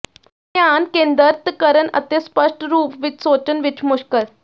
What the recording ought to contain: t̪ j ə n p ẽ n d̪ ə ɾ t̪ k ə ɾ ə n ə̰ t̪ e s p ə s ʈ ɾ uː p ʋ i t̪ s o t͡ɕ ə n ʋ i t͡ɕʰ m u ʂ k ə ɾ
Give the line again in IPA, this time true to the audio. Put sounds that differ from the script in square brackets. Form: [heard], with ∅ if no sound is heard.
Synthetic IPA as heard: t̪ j [a] n [k] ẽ n d̪ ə ɾ t̪ k ə ɾ ə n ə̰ t̪ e s p ə [ʂ] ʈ ɾ uː p ʋ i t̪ s o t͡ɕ ə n ʋ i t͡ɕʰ m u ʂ k ə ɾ